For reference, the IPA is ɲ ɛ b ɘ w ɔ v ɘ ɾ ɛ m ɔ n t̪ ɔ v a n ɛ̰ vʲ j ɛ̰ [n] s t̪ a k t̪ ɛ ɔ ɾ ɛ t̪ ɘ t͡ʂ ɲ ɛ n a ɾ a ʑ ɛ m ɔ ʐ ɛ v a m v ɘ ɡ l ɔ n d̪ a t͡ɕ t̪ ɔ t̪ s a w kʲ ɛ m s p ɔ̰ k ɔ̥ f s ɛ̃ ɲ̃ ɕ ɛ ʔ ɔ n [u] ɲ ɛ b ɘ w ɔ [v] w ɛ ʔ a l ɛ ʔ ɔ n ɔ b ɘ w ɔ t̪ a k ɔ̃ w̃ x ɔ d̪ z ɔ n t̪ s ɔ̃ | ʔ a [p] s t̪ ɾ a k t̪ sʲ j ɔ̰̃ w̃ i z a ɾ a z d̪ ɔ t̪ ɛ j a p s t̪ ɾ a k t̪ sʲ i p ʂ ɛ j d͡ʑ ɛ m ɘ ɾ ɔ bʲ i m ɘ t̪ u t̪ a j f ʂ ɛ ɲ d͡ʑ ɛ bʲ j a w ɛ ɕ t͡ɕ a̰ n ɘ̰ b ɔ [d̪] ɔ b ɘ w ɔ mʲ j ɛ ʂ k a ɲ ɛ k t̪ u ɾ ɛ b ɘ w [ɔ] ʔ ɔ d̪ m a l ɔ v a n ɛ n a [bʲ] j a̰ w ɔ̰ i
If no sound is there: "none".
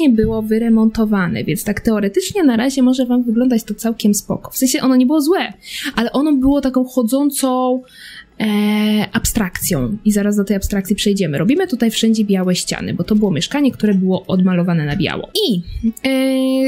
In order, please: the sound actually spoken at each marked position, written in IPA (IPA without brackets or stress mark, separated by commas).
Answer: n, ɔ, z, p, t̪, ɔ, bʲ